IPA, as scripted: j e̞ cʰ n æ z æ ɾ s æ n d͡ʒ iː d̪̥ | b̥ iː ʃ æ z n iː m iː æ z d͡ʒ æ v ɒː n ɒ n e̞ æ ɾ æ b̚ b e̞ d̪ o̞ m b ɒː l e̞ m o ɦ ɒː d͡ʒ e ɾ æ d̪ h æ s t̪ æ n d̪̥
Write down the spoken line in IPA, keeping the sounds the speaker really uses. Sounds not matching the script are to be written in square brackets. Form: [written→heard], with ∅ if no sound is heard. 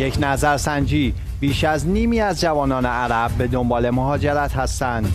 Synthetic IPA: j e̞ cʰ n æ z æ ɾ s æ n d͡ʒ iː [d̪̥→∅] | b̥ iː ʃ æ z n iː m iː æ z d͡ʒ æ v ɒː n [ɒ→ɒː] n e̞ æ ɾ æ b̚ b e̞ d̪ o̞ m b ɒː l e̞ m o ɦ ɒː d͡ʒ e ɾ æ [d̪→t̪] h æ s t̪ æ n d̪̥